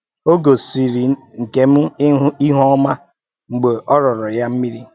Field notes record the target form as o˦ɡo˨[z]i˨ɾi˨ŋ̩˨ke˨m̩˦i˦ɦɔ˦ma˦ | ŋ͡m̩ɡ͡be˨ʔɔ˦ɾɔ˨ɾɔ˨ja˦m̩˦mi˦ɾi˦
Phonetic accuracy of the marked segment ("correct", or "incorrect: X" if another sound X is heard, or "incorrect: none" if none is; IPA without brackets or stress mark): incorrect: s